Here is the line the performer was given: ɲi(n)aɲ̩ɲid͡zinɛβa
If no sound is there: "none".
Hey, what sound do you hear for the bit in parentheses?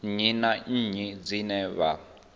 n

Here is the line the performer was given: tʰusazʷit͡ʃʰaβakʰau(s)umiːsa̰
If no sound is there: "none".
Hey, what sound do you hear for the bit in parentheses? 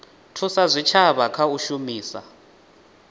ʃ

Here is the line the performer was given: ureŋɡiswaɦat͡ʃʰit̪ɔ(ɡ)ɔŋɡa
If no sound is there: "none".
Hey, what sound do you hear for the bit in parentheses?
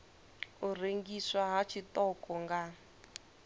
k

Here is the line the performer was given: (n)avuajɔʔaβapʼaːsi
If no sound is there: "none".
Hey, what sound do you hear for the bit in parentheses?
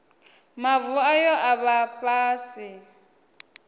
m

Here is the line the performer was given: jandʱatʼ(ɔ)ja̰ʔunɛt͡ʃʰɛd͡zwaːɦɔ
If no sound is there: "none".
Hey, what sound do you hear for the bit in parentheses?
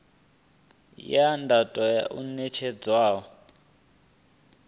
ɔ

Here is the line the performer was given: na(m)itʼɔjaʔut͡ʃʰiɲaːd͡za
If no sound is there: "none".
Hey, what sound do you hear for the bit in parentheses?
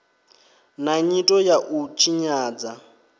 ɲ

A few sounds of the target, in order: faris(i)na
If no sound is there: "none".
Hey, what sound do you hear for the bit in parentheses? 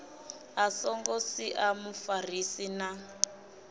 i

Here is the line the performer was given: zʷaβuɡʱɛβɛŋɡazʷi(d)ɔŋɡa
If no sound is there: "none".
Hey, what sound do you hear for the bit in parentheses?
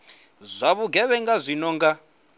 n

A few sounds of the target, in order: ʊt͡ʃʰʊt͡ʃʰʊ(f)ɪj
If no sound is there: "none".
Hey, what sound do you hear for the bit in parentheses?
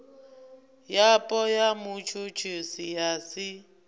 s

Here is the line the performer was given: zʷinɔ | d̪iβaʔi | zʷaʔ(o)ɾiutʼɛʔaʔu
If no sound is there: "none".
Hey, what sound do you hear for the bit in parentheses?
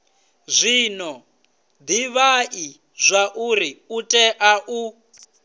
u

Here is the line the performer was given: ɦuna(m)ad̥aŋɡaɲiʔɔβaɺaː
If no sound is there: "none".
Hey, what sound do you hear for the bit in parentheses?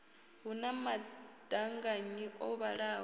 m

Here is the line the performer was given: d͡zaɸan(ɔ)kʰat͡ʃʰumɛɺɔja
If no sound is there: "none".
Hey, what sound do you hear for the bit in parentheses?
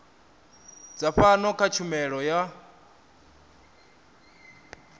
ɔ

